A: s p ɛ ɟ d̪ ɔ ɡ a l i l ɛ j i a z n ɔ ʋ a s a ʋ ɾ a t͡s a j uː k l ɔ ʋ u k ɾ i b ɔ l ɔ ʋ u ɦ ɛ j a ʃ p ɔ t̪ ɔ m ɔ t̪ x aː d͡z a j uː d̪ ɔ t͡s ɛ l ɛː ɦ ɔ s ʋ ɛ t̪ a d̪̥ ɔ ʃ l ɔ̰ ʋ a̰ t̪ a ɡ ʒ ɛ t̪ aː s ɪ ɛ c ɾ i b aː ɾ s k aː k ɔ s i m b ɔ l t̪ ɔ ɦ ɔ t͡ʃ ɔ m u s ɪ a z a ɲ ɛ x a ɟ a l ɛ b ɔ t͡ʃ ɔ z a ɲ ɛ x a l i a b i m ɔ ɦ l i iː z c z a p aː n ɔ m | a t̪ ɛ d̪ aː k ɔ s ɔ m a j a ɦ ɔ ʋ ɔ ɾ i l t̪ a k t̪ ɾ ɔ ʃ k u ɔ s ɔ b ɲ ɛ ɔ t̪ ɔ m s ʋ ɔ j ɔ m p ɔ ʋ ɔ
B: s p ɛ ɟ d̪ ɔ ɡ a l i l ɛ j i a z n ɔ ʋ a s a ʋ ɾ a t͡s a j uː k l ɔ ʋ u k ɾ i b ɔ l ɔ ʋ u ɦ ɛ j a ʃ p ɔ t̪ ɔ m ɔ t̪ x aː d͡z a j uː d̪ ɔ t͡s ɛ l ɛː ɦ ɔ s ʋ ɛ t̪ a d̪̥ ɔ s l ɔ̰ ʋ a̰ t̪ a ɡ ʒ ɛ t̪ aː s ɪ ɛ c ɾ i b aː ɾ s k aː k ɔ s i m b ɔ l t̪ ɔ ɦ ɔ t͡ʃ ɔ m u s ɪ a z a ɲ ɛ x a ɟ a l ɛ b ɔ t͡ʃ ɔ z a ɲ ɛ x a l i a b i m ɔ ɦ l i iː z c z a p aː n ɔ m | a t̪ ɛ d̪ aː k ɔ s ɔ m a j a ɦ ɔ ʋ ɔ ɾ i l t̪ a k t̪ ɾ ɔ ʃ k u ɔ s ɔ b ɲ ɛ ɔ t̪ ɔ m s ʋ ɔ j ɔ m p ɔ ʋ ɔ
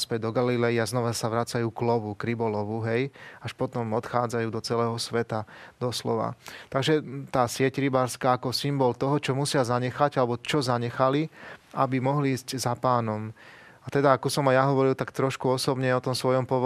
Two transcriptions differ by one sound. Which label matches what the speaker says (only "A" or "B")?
B